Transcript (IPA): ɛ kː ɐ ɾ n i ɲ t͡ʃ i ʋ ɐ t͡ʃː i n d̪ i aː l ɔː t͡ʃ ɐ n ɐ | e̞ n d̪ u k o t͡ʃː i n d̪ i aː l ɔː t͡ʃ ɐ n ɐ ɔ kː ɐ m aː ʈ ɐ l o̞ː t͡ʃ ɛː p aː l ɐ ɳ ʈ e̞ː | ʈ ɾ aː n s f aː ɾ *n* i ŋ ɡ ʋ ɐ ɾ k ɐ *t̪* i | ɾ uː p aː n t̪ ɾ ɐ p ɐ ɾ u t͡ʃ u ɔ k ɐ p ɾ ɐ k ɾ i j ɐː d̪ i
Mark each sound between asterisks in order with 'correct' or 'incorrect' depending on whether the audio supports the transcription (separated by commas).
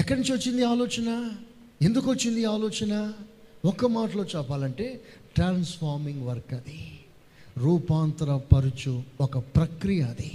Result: incorrect, incorrect